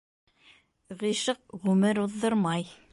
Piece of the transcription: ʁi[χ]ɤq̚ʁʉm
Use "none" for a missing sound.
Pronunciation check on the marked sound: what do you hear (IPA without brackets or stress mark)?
ʃ